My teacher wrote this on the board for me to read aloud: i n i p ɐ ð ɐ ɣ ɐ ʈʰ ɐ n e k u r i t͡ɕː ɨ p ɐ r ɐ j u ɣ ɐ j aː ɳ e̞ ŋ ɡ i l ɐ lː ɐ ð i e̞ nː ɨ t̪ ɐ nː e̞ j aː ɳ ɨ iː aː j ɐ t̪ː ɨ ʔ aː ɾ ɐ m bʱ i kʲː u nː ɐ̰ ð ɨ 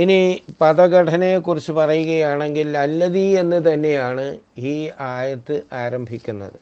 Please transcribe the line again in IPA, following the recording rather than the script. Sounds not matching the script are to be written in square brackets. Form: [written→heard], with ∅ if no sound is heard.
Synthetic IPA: i n i p ɐ ð ɐ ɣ ɐ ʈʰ ɐ n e k u r i t͡ɕː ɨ p ɐ r ɐ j u ɣ ɐ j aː ɳ e̞ ŋ ɡ i l ɐ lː ɐ ð i e̞ nː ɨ t̪ ɐ nː e̞ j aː ɳ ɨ iː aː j ɐ t̪ː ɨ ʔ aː ɾ ɐ m bʱ i kʲː u nː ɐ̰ ð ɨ